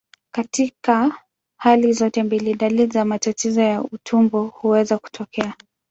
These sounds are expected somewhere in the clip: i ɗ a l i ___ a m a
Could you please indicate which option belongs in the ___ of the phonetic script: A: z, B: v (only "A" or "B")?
A